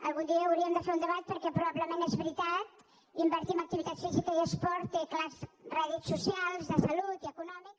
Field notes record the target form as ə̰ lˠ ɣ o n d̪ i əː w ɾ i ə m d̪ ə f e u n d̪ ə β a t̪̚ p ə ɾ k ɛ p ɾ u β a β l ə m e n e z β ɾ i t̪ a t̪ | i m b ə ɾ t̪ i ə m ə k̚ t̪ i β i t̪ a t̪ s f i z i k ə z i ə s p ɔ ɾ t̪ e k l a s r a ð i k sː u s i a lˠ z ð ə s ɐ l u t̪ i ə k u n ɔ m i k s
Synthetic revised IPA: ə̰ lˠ ɣ u n d̪ i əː w ɾ i ə m d̪ ə f e u n d̪ ə β a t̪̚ p ə ɾ k ɛ p ɾ u β a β l ə m e n e z β ɾ i t̪ a t̪ | i m b ə ɾ t̪ i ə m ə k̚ t̪ i β i t̪ a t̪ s f i z i k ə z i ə s p ɔ ɾ t̪ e k l a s r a ð i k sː u s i a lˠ z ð ə s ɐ l u t̪ i ə k u n ɔ m i k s